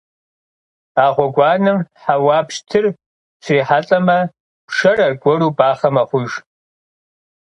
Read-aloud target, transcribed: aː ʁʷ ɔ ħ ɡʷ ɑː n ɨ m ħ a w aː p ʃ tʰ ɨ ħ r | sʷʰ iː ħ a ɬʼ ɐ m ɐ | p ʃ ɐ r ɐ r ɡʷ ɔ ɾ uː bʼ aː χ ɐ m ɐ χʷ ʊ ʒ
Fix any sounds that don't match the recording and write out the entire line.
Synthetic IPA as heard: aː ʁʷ ɔ ɡʷ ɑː n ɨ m ħ a w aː p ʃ tʰ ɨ r | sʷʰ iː ħ a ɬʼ ɐ m ɐ | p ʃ ɐ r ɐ r ɡʷ ɔ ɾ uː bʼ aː χ ɐ m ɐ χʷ ʊ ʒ